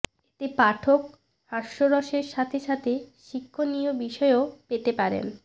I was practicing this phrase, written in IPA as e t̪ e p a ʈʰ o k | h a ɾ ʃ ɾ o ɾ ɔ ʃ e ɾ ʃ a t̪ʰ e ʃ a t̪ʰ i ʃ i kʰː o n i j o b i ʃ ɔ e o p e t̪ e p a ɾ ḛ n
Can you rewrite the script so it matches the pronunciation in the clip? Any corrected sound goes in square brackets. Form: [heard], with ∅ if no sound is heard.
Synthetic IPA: e t̪ e p a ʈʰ o k | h a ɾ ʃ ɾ o ɾ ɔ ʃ e ɾ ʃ a t̪ʰ e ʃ a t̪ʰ [e] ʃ i kʰː o n i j o b i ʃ ɔ e o p e t̪ e p a ɾ ḛ n